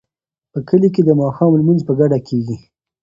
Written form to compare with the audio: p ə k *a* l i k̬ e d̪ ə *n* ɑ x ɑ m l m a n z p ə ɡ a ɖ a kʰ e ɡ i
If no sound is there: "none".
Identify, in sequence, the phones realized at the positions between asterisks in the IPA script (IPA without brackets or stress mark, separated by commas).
ə, m